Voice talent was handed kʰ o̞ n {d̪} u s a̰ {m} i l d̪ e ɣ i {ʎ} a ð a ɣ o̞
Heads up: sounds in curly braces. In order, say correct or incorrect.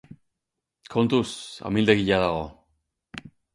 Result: incorrect: t̪, correct, correct

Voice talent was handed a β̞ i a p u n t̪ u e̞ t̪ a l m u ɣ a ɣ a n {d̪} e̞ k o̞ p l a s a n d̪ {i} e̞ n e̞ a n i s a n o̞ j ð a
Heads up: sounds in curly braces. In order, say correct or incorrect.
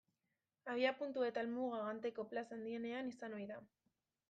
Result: incorrect: t̪, correct

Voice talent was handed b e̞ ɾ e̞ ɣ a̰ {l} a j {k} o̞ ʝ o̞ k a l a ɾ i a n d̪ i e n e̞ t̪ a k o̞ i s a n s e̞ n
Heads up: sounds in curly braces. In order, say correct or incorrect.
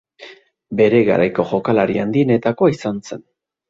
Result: incorrect: ɾ, correct

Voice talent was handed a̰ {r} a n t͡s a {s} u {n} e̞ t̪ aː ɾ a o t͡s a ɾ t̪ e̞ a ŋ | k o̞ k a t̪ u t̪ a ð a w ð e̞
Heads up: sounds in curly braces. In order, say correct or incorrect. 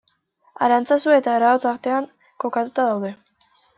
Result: incorrect: ɾ, correct, incorrect: none

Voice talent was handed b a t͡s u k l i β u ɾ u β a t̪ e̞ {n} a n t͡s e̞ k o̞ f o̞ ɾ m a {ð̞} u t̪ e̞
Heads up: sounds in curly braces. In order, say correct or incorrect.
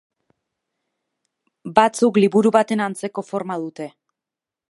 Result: correct, correct

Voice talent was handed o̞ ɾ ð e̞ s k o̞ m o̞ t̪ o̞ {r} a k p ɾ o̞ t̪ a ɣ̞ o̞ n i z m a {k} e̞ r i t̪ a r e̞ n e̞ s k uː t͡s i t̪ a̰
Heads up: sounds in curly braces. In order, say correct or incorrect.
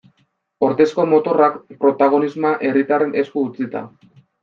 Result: correct, incorrect: ʔ

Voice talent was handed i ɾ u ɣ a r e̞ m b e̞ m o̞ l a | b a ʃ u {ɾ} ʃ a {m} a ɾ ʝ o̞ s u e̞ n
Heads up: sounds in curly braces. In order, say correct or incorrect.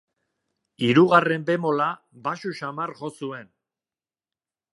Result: incorrect: none, correct

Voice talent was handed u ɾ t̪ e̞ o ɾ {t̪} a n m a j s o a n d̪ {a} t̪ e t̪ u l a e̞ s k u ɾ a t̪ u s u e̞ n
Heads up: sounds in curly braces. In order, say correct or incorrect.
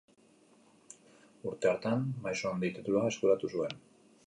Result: correct, incorrect: i

